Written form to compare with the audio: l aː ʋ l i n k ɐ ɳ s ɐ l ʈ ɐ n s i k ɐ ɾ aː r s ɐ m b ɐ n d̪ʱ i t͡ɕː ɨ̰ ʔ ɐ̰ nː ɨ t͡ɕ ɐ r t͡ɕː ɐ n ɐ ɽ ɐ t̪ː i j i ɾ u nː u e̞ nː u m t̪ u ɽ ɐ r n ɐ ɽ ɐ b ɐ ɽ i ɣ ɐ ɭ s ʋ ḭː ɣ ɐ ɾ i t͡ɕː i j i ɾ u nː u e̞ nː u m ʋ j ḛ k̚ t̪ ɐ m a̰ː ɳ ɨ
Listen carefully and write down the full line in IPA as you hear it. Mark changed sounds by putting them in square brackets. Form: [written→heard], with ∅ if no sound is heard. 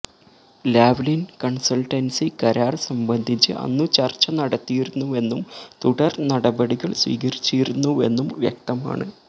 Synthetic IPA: l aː ʋ l i n k ɐ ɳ s ɐ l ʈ ɐ n s i k ɐ ɾ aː r s ɐ m b ɐ n d̪ʱ i t͡ɕː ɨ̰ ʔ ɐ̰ nː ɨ t͡ɕ ɐ r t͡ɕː ɐ n ɐ ɽ ɐ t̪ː i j i ɾ u nː u e̞ nː u m t̪ u ɽ ɐ r n ɐ ɽ ɐ b ɐ ɽ i ɣ ɐ ɭ s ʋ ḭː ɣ ɐ ɾ i t͡ɕː i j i ɾ u nː u e̞ nː u m ʋ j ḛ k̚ t̪ ɐ m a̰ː ɳ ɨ